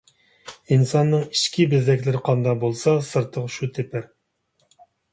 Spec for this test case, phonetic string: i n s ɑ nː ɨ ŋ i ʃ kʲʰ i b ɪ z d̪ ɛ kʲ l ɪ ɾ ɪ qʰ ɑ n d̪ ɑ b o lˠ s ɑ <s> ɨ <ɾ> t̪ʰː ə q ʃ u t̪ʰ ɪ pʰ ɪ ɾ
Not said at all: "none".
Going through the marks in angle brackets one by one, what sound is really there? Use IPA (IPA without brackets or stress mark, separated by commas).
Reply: s, ɾ